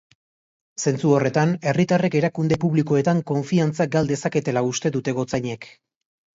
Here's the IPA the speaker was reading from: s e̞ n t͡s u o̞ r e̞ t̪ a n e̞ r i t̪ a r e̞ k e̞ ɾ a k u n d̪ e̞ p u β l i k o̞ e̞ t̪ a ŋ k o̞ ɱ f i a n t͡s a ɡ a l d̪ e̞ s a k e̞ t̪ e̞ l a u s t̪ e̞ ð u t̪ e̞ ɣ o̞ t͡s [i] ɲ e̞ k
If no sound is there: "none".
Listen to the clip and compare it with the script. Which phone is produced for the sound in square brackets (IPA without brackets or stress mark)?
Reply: a